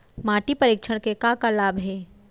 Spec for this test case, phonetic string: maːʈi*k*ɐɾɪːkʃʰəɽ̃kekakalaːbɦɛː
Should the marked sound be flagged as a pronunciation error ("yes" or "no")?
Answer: yes